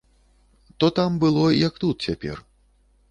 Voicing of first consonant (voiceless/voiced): voiceless